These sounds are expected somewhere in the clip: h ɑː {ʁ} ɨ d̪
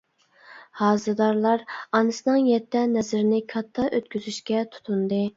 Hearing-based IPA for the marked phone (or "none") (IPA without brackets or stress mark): z